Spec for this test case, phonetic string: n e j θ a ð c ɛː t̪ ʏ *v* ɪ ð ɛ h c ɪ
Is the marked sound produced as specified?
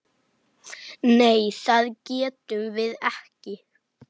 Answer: yes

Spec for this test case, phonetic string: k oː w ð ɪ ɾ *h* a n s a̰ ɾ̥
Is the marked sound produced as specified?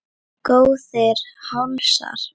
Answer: yes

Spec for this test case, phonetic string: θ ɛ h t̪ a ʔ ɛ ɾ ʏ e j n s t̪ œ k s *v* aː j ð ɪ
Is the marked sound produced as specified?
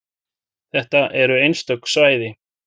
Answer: yes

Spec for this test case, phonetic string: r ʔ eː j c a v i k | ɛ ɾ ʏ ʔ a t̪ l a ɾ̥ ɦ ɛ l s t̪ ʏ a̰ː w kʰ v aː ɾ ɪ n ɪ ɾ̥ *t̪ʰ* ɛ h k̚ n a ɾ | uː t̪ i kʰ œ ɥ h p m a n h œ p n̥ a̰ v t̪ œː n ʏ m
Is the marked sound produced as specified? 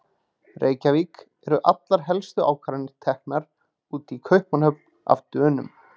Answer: yes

